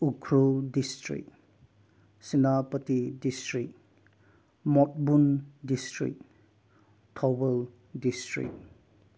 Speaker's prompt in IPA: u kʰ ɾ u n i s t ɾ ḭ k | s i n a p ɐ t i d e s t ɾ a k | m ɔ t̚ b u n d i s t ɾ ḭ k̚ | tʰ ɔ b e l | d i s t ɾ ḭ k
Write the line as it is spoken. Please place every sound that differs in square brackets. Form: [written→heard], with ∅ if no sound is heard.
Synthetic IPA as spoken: u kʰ ɾ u [n→d] i s t ɾ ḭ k | s i n a p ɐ t i d [e→i] s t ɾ [a→i] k | m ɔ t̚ b u n d i s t ɾ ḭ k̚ | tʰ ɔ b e l | d i s t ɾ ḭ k